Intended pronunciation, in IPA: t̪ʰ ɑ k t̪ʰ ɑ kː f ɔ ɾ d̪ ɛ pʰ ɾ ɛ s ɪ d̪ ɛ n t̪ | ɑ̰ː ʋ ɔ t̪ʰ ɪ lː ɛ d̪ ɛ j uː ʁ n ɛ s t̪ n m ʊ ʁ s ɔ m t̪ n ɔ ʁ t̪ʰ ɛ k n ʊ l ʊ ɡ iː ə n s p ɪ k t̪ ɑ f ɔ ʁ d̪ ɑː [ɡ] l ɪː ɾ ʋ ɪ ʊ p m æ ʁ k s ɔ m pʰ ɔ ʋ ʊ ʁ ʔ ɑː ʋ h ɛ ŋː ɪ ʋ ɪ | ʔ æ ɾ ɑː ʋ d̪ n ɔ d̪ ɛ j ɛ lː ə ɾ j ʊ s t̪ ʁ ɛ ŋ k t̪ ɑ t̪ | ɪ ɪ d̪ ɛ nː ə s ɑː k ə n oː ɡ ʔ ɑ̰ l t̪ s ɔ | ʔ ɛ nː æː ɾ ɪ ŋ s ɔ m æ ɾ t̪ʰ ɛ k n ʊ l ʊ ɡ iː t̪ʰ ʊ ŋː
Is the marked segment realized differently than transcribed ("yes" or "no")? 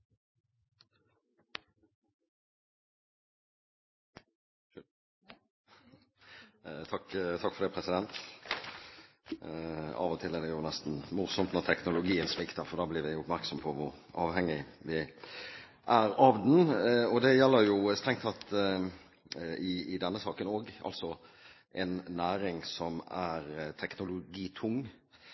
yes